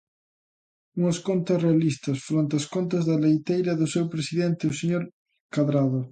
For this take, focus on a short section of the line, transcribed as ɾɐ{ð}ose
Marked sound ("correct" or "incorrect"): correct